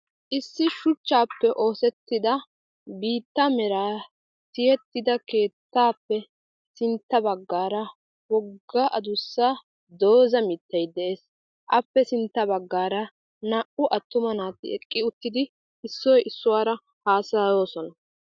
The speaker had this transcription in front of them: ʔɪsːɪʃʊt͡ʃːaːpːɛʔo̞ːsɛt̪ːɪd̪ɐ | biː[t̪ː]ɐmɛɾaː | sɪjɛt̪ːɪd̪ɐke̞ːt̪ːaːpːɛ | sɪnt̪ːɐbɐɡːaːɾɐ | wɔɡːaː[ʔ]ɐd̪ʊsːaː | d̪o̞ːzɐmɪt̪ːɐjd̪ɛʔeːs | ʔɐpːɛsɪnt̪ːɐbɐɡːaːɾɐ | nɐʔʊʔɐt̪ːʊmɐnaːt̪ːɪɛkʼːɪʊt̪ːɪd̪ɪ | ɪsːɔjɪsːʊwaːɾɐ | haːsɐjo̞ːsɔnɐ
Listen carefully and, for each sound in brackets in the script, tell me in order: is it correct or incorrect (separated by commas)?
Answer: correct, correct